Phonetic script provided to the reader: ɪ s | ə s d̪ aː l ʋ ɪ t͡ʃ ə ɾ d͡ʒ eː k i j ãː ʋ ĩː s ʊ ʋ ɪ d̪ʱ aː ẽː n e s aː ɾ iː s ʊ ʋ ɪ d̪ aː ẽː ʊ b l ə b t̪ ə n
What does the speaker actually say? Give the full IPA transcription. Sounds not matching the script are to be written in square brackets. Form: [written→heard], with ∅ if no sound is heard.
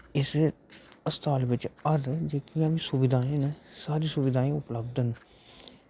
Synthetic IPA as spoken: ɪ s | ə s [d̪→t̪] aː l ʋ ɪ t͡ʃ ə ɾ d͡ʒ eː k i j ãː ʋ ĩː s ʊ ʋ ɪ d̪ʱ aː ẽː n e s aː ɾ iː s ʊ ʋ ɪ d̪ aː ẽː ʊ [b→p] l ə b [t̪→d̪] ə n